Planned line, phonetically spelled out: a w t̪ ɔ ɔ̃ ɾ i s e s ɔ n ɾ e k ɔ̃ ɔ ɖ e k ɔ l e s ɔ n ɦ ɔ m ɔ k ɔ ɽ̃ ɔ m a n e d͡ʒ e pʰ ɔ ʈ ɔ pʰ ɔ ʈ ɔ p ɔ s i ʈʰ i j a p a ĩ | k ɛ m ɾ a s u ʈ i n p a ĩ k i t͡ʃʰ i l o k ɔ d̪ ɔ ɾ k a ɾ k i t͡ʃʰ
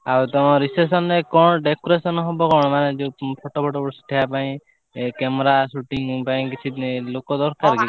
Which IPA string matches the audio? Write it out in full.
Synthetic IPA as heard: a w t̪ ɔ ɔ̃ ɾ i s e s ɔ n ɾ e k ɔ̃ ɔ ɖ e k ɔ ɾ e s ɔ n ɦ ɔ b ɔ k ɔ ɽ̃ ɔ m a n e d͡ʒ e pʰ ɔ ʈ ɔ pʰ ɔ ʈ ɔ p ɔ s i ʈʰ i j a p a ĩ | k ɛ m ɾ a s u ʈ i ŋ p a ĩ k i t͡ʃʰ i l o k ɔ d̪ ɔ ɾ k a ɾ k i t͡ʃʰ